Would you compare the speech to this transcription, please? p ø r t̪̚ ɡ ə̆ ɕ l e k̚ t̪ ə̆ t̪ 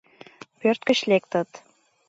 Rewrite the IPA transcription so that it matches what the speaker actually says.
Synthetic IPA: p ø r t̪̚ k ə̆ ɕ l e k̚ t̪ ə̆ t̪